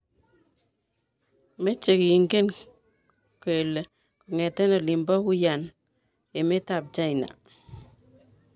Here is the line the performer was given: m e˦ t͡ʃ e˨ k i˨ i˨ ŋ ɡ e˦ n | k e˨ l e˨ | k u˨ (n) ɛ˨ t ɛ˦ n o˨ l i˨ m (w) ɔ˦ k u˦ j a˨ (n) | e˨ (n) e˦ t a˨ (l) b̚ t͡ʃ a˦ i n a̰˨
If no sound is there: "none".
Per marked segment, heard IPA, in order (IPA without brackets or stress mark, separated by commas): ŋ, b, n, m, none